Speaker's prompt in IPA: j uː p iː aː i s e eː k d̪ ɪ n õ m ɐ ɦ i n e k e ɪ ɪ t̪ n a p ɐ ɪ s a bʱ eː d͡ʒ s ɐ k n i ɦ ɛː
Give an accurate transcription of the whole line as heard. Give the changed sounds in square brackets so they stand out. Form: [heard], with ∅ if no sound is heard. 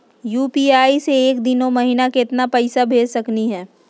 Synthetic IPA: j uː p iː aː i s e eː k d̪ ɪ n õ m ɐ ɦ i n [a] k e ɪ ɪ t̪ n a p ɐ ɪ s a bʱ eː d͡ʒ s ɐ k n i ɦ ɛː